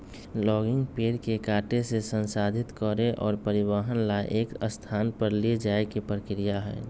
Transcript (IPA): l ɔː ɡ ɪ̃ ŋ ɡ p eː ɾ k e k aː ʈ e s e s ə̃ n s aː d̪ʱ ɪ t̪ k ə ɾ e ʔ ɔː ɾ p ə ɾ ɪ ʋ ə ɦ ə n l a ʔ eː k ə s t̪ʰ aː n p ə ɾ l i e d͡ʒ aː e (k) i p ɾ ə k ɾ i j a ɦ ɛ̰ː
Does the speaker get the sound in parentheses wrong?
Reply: no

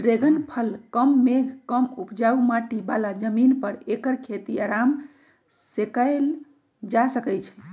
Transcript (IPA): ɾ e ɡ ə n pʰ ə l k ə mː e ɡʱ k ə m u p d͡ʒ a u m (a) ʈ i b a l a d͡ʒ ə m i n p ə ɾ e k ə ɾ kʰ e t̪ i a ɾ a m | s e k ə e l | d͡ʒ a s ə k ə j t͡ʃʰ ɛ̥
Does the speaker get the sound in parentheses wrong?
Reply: no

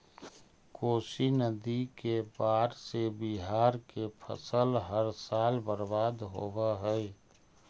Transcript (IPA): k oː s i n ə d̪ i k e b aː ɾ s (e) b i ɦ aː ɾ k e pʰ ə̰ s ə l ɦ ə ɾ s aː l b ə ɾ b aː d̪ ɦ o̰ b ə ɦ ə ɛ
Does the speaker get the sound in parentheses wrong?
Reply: no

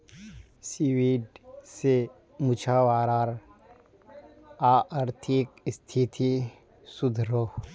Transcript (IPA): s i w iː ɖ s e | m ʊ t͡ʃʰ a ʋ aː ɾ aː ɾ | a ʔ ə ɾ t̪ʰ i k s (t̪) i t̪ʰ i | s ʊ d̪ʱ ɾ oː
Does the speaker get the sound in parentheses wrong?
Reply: yes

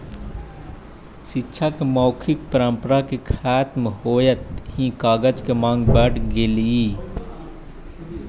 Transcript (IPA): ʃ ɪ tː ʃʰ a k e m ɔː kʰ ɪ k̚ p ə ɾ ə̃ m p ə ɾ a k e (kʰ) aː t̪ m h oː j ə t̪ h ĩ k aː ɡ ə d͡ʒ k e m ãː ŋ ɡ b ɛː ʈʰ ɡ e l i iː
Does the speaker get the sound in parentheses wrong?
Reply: no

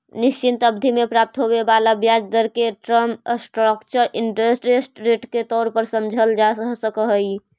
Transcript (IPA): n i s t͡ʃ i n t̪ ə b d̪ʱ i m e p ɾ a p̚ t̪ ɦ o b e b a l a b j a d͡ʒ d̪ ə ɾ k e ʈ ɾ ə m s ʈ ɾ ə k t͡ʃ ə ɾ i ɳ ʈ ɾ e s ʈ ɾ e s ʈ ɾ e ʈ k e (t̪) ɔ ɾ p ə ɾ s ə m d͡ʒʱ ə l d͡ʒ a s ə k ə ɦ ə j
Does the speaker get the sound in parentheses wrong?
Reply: no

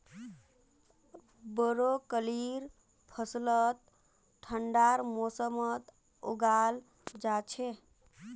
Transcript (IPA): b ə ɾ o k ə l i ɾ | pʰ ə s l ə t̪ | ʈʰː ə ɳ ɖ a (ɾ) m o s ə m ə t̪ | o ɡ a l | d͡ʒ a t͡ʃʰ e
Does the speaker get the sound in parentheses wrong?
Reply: no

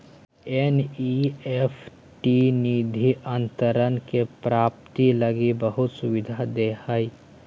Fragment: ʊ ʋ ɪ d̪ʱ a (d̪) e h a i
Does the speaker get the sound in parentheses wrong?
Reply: no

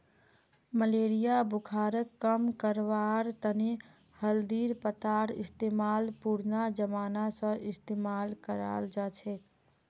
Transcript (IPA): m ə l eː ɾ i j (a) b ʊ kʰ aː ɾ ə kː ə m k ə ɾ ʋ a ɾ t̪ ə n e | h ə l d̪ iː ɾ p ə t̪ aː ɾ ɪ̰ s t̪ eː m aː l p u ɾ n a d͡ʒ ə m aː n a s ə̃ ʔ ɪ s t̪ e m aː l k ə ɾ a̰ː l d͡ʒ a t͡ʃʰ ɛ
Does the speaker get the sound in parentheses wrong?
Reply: no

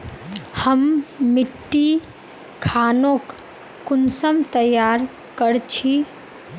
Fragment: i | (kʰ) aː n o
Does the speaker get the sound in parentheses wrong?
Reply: no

